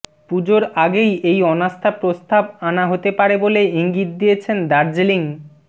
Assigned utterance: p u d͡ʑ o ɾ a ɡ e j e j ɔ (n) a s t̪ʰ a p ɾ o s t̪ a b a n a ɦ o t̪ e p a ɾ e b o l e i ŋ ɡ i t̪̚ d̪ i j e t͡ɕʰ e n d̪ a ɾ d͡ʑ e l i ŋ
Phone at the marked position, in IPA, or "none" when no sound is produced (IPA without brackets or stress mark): n